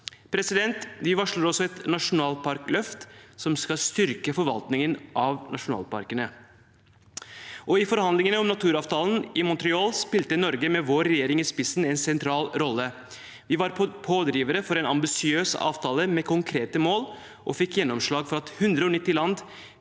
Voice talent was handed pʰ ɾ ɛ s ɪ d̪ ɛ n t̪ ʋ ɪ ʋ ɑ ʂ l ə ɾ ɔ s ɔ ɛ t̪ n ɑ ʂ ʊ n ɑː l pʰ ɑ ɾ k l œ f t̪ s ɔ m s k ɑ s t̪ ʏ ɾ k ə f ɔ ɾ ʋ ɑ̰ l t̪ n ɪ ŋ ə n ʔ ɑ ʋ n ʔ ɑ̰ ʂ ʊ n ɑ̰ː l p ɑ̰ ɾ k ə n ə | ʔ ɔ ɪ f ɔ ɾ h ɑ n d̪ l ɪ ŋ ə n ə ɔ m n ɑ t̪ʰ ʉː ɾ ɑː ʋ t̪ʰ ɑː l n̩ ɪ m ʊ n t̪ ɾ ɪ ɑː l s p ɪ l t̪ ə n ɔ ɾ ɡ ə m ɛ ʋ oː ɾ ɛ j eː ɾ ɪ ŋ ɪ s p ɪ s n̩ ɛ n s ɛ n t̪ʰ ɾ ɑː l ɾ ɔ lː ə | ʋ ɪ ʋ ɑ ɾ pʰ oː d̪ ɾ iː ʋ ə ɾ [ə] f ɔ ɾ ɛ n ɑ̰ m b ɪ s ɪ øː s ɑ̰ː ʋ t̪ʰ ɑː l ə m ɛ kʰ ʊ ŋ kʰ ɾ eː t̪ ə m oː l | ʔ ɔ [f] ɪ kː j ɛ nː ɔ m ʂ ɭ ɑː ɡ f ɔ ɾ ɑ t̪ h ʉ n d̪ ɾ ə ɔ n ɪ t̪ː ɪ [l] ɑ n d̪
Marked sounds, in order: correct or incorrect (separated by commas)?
correct, correct, correct